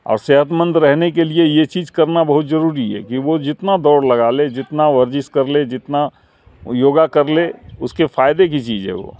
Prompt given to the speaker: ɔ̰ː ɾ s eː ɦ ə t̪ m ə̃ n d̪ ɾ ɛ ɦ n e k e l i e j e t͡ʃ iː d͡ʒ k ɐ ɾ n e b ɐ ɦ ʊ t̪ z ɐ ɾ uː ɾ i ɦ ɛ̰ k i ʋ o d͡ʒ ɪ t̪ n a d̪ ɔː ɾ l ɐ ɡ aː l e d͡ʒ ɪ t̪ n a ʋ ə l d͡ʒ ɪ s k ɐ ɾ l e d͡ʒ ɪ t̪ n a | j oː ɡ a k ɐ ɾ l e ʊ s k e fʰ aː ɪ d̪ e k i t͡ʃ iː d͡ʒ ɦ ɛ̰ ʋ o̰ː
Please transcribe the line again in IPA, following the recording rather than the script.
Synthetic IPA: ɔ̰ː ɾ s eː ɦ ə t̪ m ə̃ n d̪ ɾ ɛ ɦ n e k e l i e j e t͡ʃ iː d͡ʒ k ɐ ɾ n a b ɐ ɦ ʊ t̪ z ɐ ɾ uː ɾ i ɦ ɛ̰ k i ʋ o d͡ʒ ɪ t̪ n a d̪ ɔː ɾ l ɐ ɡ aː l e d͡ʒ ɪ t̪ n a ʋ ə ɾ d͡ʒ ɪ s k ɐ ɾ l e d͡ʒ ɪ t̪ n a | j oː ɡ a k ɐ ɾ l e ʊ s k e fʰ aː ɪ d̪ e k i t͡ʃ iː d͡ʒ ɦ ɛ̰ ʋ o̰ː

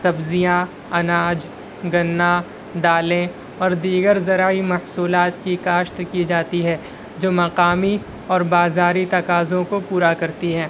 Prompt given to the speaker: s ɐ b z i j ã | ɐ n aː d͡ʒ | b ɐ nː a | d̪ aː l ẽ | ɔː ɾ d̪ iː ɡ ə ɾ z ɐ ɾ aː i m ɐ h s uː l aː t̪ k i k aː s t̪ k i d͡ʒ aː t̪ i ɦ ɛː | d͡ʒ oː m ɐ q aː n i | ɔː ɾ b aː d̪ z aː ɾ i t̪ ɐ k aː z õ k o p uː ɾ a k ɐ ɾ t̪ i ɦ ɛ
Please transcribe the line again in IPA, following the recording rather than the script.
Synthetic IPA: s ɐ b z i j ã | ɐ n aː d͡ʒ | ɡ ɐ nː a | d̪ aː l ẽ | ɔː ɾ d̪ iː ɡ ə ɾ z ɐ ɾ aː i m ɐ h s uː l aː t̪ k i k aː ʃ t̪ k i d͡ʒ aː t̪ i ɦ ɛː | d͡ʒ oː m ɐ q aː m i | ɔː ɾ b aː z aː ɾ i t̪ ɐ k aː z õ k o p uː ɾ a k ɐ ɾ t̪ i ɦ ɛː

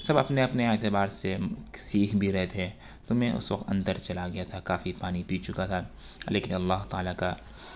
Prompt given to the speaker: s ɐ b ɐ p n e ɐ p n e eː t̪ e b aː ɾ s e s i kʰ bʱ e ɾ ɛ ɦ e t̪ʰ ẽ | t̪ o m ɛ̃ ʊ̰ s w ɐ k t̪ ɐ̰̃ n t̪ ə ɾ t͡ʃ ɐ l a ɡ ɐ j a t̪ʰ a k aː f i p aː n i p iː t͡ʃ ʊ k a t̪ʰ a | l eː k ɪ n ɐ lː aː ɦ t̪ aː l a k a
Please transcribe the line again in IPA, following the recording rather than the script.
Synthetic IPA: s ɐ b ɐ p n e ɐ p n e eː t̪ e b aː ɾ s e s iː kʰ bʱ i ɾ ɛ ɦ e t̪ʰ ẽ | t̪ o m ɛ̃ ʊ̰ s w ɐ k t̪ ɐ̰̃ n d̪ ə ɾ t͡ʃ ɐ l a ɡ ɐ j a t̪ʰ a k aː f i p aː n i p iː t͡ʃ ʊ k a t̪ʰ a | l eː k ɪ n ɐ lː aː ɦ t̪ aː l a k a

